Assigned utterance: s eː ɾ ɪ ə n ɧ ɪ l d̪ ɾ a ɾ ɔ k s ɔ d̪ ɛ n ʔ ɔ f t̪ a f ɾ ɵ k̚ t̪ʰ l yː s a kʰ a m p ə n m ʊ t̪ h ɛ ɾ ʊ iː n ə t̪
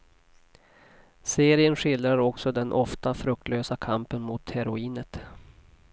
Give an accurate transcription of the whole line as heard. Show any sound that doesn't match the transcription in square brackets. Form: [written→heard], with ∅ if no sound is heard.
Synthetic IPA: s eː ɾ ɪ ə n ɧ ɪ l d̪ ɾ a ɾ ɔ k s ɔ d̪ ɛ n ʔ ɔ f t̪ a f ɾ ɵ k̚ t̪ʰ l [yː→øː] s a kʰ a m p ə n m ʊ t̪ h ɛ ɾ ʊ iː n ə t̪